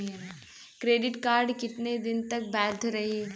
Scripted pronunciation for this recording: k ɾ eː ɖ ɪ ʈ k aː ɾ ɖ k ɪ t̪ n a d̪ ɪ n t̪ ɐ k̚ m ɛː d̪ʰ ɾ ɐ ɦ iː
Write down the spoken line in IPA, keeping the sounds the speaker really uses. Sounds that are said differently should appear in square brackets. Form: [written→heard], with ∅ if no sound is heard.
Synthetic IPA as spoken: k ɾ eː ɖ ɪ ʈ k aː ɾ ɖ k ɪ t̪ n [a→e] d̪ ɪ n t̪ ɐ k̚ [m→b] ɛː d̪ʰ ɾ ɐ ɦ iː